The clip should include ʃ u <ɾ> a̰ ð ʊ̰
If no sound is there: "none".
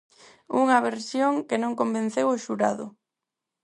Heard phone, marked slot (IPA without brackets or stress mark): ɾ